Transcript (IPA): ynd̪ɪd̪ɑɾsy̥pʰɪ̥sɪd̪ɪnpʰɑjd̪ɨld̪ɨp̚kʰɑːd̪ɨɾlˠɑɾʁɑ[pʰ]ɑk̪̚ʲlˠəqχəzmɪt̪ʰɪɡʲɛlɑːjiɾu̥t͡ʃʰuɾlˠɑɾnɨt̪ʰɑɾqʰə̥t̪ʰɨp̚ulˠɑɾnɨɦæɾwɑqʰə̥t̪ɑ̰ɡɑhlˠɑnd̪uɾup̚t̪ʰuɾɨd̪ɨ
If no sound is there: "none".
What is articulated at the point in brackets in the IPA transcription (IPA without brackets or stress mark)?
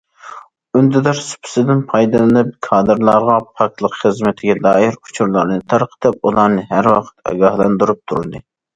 pʰ